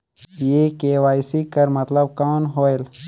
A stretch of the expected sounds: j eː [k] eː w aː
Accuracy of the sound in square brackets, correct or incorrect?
correct